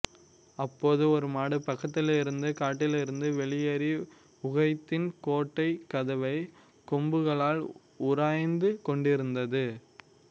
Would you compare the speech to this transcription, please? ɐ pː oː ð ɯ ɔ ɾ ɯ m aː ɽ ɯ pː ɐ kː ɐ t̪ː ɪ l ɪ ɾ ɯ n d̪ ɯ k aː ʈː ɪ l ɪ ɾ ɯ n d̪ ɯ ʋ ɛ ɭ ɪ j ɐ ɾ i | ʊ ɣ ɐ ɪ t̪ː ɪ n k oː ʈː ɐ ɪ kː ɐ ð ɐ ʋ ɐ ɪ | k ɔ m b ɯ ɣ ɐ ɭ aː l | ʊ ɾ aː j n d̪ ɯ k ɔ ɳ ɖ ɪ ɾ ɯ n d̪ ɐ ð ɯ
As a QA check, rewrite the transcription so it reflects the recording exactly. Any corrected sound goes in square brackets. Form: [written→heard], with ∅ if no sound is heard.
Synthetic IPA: ɐ pː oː ð ɯ ɔ ɾ ɯ m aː ɽ ɯ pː ɐ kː ɐ t̪ː ɪ l ɪ ɾ ɯ n d̪ ɯ k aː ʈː ɪ l ɪ ɾ ɯ n d̪ ɯ ʋ ɛ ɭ ɪ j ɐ ɾ i | ʊ ɣ ɐ ɪ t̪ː ɪ n k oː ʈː ɐ ɪ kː ɐ ð ɐ ʋ ɐ ɪ | k ɔ m b ɯ ɣ ɐ ɭ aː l | ʊ ɾ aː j n d̪ ɯ k ɔ ɳ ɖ ɪ ɾ ɯ n d̪ ɐ ð ɯ